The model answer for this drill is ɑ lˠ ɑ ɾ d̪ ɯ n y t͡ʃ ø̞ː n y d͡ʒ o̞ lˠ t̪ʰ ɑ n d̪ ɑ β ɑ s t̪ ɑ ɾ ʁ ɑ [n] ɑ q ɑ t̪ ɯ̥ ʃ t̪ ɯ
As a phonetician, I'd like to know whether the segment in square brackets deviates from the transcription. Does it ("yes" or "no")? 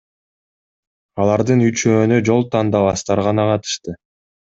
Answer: no